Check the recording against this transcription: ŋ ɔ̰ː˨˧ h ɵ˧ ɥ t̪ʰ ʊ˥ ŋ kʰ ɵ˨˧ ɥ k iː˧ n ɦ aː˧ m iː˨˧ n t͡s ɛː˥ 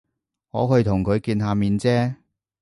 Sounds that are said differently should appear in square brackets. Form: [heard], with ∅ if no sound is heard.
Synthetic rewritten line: ŋ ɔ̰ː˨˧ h ɵ˧ ɥ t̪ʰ [ʊ˨˩] ŋ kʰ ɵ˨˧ ɥ k iː˧ n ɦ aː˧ m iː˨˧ n t͡s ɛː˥